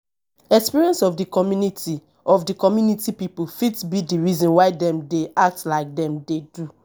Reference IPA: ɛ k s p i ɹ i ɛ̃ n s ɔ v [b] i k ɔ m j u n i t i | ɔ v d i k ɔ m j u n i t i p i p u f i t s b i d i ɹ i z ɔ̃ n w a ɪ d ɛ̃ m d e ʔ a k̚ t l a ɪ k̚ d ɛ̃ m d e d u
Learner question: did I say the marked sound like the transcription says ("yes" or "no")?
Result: no